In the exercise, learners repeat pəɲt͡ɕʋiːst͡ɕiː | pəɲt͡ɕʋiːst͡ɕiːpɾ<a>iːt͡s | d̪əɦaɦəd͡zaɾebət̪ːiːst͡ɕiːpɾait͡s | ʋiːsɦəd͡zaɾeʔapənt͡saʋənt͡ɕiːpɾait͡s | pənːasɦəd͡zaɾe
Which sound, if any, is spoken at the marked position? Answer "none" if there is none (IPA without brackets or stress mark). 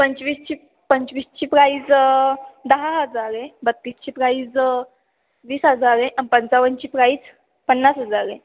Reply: a